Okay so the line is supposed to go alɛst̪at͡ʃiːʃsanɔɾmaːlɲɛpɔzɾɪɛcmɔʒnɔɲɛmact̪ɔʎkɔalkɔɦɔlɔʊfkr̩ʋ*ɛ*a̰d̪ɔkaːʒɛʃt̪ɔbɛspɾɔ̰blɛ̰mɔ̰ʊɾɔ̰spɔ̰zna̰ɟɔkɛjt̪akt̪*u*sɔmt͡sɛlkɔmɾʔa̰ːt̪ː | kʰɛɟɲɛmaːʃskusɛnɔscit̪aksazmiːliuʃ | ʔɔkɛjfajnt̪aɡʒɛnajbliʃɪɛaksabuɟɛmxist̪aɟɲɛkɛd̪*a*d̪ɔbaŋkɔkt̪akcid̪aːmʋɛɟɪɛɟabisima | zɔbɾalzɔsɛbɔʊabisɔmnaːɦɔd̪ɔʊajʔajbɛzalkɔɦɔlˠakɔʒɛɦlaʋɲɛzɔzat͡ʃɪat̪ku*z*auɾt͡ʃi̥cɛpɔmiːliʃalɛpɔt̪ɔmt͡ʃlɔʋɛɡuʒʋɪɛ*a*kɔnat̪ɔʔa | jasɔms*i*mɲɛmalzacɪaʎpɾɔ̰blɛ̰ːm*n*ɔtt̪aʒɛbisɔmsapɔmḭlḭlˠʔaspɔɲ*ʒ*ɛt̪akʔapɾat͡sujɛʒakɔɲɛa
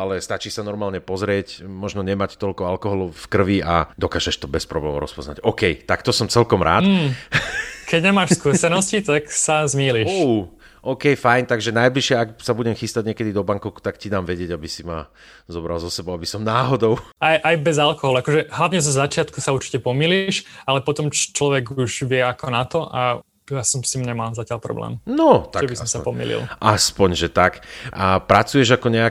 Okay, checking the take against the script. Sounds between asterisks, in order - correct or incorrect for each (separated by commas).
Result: incorrect, incorrect, incorrect, incorrect, correct, correct, correct, correct